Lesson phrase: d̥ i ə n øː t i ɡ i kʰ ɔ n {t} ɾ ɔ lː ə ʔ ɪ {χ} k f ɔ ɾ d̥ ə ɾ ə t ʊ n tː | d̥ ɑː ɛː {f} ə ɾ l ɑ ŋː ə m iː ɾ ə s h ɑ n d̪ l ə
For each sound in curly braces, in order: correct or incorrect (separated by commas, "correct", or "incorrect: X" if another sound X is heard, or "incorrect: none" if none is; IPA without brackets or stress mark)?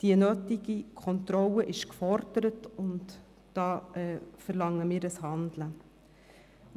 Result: correct, incorrect: ʃ, correct